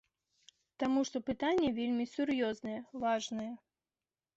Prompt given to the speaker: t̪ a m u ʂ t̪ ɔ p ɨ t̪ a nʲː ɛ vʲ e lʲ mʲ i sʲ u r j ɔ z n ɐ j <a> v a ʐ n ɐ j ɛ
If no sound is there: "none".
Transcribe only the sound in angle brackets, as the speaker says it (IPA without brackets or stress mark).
ɛ